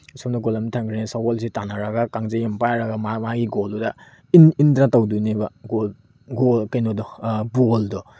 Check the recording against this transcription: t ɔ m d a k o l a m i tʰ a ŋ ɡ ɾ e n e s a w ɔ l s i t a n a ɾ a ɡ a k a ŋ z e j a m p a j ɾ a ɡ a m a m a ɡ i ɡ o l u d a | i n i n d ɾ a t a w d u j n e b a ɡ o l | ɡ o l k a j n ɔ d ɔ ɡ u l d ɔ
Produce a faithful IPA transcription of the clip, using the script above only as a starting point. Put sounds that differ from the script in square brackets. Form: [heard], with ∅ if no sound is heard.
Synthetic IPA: [s] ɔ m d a [ɡ] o l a m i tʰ a ŋ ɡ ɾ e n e s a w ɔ l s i t a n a ɾ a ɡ a k a ŋ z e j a m p a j ɾ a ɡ a m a m a ɡ i ɡ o l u d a | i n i n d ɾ a t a w d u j n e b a ɡ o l | ɡ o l k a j n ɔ d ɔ [b] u l d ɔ